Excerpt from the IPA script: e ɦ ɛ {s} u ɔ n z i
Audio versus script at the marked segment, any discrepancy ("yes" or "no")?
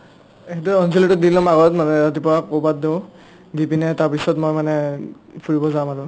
yes